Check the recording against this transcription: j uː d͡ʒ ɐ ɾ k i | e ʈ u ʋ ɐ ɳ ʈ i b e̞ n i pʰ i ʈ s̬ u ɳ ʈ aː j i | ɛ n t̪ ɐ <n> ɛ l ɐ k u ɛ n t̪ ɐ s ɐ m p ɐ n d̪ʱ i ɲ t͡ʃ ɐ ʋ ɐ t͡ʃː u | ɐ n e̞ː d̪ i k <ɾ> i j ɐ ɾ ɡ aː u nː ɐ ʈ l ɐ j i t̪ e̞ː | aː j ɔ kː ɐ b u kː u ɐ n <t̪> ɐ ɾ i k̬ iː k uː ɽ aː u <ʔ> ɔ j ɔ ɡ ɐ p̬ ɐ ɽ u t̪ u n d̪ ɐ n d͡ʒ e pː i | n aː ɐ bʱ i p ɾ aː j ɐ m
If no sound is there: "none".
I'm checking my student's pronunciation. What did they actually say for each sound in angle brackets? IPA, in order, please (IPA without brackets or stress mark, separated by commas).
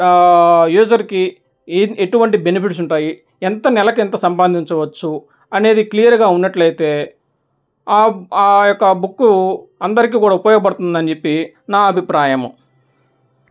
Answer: n, l, d̪, p